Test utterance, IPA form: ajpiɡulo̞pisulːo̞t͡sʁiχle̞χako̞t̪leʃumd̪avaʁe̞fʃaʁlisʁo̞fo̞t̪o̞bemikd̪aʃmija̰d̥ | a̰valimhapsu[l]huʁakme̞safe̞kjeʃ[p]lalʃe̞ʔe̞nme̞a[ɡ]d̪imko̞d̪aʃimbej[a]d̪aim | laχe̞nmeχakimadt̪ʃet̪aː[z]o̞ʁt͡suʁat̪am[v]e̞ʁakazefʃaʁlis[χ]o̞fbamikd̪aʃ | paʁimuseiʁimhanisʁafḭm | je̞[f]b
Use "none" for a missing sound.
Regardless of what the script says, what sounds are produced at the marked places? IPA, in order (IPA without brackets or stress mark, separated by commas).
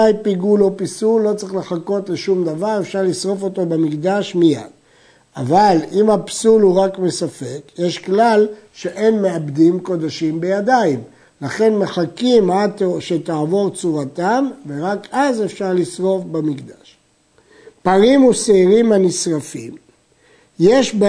l, k, b, a, v, v, ʁ, ʃ